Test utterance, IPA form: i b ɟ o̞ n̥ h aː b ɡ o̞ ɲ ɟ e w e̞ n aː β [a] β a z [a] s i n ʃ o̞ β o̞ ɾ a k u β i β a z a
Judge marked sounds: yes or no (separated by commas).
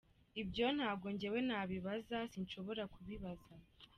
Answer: no, yes